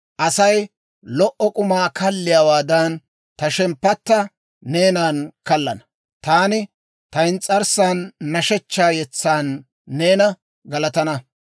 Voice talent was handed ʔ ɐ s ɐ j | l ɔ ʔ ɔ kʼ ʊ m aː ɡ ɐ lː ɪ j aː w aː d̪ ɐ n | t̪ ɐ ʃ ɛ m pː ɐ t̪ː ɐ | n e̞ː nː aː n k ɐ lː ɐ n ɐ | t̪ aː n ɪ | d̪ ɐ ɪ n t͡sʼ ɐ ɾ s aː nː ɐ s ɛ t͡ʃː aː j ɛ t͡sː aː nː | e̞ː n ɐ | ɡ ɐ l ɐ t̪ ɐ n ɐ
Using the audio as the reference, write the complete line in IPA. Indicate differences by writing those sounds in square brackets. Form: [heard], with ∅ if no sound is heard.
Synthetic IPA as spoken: ʔ ɐ s ɐ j | l ɔ ʔ ɔ kʼ ʊ m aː [k] ɐ lː ɪ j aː w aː d̪ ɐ n | t̪ ɐ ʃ ɛ m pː ɐ t̪ː ɐ | n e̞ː [n] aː n k ɐ lː ɐ n ɐ | t̪ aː n ɪ | [t̪] ɐ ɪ n t͡sʼ ɐ ɾ s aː nː ɐ [ʃ] ɛ t͡ʃː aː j ɛ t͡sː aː nː | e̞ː n ɐ | ɡ ɐ l ɐ t̪ ɐ n ɐ